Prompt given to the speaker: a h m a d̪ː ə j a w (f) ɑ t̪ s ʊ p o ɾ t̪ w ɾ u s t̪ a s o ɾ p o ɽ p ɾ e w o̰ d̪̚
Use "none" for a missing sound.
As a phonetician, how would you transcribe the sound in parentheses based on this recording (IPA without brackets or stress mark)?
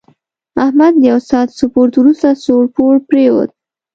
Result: s